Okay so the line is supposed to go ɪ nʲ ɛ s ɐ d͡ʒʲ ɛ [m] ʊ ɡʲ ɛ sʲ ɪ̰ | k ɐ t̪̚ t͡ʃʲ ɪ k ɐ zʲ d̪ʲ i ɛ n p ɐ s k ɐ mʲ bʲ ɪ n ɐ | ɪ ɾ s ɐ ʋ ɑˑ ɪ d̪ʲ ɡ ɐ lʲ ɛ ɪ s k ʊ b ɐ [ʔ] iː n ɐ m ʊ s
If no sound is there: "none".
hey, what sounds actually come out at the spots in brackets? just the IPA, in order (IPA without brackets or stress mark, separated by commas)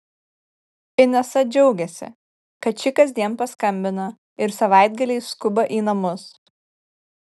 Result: none, ʔ